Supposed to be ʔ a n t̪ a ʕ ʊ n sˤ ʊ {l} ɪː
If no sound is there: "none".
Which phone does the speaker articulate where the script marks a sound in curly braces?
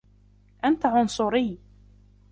ɾ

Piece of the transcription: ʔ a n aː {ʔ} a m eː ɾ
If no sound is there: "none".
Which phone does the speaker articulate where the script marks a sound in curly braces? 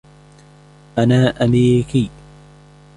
ʔ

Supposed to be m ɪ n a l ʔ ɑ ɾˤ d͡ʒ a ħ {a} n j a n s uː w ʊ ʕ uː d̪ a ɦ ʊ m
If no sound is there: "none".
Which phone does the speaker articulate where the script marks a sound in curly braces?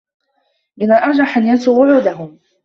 a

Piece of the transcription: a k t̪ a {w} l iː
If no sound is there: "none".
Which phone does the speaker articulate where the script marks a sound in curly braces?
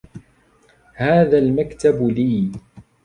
b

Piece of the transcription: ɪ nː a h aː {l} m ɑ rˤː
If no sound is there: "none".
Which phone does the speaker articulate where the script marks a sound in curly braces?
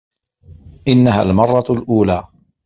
l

